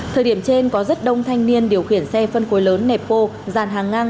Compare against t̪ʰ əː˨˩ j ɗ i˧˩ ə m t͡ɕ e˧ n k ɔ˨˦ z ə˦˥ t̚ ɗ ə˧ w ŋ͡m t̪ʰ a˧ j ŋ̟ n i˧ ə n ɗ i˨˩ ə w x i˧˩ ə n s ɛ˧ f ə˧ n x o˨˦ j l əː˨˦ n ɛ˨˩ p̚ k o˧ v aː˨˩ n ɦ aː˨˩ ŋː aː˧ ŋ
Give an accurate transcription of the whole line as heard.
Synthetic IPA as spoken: t̪ʰ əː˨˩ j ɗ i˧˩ ə m t͡ɕ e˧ n k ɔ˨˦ z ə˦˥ t̚ ɗ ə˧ w ŋ͡m t̪ʰ a˧ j ŋ̟ n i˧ ə n ɗ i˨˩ ə w x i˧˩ ə n s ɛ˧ f ə˧ n x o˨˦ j l əː˨˦ nː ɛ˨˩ p̚ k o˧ z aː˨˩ n ɦ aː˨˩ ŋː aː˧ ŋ